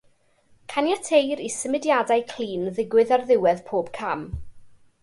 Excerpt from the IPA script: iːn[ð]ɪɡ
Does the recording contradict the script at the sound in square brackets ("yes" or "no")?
no